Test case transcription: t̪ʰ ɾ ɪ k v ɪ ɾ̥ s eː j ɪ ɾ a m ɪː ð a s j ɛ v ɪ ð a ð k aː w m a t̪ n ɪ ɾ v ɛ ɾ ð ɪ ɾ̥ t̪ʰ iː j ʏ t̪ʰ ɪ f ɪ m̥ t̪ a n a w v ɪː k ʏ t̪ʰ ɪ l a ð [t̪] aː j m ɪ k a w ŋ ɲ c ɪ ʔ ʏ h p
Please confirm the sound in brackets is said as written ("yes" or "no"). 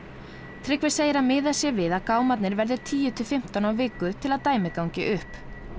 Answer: yes